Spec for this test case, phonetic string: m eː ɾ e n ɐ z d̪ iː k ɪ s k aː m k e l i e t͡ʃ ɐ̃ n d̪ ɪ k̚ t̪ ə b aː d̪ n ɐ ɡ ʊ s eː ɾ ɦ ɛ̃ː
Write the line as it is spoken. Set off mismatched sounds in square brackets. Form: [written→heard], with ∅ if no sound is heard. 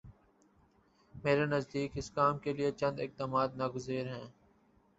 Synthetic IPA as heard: m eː ɾ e n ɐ z d̪ iː k ɪ s k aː m k e l i e t͡ʃ ɐ̃ n d̪ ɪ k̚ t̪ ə [b→m] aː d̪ n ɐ ɡ ʊ [s→z] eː ɾ ɦ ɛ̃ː

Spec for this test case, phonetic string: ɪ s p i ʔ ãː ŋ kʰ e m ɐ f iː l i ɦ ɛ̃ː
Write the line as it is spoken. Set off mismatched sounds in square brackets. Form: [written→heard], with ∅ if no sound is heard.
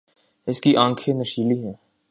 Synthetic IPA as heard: ɪ s [p→k] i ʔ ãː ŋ kʰ e [m→n] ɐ [f→ʃ] iː l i ɦ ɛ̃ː

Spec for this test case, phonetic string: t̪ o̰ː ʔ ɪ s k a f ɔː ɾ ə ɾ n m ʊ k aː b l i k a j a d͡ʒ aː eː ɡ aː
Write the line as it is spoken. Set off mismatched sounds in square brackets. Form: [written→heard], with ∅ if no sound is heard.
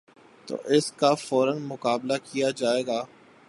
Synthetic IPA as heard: t̪ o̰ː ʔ ɪ s k a f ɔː ɾ ə [ɾ→∅] n m ʊ k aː b l [i→a] k [a→i] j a d͡ʒ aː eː ɡ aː

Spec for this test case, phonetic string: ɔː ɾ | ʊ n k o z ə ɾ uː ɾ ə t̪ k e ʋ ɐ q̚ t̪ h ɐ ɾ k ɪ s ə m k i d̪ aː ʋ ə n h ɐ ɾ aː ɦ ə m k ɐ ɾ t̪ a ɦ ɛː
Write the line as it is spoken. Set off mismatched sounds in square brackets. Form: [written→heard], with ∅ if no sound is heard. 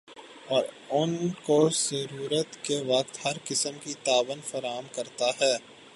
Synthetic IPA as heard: ɔː ɾ | ʊ n k o z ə ɾ uː ɾ ə t̪ k e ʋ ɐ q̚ t̪ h ɐ ɾ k ɪ s ə m k i [d̪→t̪] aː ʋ ə n [h→f] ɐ ɾ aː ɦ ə m k ɐ ɾ t̪ a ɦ ɛː

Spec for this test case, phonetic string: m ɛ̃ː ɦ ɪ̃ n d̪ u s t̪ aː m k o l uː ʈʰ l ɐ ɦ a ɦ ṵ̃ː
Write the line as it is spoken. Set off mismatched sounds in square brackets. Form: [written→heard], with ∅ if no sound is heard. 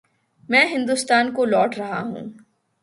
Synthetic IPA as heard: m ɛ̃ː ɦ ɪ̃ n d̪ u s t̪ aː [m→n] k o l [uː→ɔː] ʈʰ [l→ɾ] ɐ ɦ a ɦ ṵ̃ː

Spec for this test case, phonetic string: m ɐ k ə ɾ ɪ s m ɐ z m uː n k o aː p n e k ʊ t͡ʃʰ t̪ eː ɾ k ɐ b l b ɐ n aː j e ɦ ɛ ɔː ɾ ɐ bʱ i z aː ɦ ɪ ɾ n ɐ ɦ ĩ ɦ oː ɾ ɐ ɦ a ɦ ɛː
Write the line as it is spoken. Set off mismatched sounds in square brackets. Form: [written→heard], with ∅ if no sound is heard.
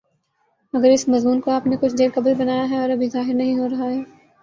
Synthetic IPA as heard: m ɐ [k→ɡ] ə ɾ ɪ s m ɐ z m uː n k o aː p n e k ʊ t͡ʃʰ [t̪→d̪] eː ɾ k ɐ b l b ɐ n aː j [e→a] ɦ ɛ ɔː ɾ ɐ bʱ i z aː ɦ ɪ ɾ n ɐ ɦ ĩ ɦ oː ɾ ɐ ɦ a ɦ ɛː

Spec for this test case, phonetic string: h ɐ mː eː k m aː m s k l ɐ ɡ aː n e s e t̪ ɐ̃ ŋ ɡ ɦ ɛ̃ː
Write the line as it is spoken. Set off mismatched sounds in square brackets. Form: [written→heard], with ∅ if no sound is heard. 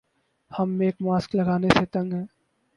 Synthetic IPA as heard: h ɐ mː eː k m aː [m→∅] s k l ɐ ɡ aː n e s e t̪ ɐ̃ ŋ ɡ ɦ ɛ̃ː

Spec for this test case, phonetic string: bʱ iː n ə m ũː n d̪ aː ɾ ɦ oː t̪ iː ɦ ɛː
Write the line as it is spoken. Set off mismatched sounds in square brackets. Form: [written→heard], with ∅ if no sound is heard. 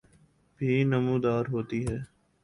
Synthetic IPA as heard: bʱ iː n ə m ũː [n→∅] d̪ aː ɾ ɦ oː t̪ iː ɦ ɛː

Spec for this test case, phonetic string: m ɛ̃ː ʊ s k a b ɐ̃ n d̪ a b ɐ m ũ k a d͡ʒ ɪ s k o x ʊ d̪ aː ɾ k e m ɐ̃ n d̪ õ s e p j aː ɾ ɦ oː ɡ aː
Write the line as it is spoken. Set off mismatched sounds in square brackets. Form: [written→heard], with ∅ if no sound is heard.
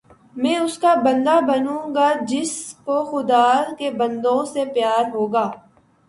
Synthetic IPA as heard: m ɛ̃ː ʊ s k a b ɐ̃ n d̪ a b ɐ [m→n] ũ [k→ɡ] a d͡ʒ ɪ s k o x ʊ d̪ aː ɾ k e [m→b] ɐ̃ n d̪ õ s e p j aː ɾ ɦ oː ɡ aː

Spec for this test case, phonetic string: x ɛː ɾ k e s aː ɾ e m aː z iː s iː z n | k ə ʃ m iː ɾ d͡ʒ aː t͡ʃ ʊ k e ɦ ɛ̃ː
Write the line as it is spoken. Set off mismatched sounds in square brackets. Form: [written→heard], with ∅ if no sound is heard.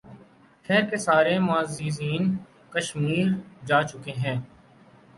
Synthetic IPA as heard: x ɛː ɾ k e s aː ɾ e m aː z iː [s→z] iː [z→∅] n | k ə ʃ m iː ɾ d͡ʒ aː t͡ʃ ʊ k e ɦ ɛ̃ː

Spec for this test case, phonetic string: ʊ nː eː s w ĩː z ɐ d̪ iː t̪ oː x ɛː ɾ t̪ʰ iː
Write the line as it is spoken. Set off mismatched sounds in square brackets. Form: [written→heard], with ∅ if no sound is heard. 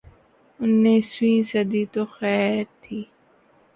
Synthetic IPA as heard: ʊ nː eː s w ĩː [z→s] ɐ d̪ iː t̪ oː x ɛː ɾ t̪ʰ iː

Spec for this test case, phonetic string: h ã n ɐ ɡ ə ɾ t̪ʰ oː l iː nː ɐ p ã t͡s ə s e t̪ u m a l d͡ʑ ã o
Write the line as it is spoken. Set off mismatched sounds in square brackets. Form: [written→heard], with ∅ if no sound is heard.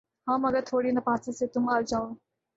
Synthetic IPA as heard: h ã [n→m] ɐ ɡ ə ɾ t̪ʰ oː [l→ɽ] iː [nː→n] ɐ p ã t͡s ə s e t̪ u m a l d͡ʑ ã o

